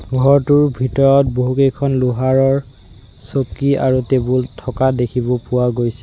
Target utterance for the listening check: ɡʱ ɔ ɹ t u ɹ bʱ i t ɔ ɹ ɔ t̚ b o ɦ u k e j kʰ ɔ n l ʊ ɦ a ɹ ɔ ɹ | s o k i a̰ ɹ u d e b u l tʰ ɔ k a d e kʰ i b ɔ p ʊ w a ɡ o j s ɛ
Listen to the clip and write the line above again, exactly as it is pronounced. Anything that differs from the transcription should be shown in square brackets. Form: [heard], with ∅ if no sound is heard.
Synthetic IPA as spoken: ɡʱ ɔ ɹ t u ɹ bʱ i t ɔ ɹ ɔ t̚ b o ɦ u k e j kʰ ɔ n l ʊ ɦ a ɹ ɔ ɹ | s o k i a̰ ɹ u [t] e b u l tʰ ɔ k a d e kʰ i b ɔ p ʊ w a ɡ o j s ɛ